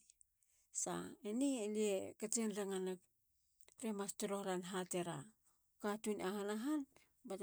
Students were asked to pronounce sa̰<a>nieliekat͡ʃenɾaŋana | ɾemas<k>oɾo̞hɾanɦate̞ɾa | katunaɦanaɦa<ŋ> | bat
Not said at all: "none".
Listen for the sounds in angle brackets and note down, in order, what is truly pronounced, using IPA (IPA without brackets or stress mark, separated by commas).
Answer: e, t, n